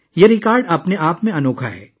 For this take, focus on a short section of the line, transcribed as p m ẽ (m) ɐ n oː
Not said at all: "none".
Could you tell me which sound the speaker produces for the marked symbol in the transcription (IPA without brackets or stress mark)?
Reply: none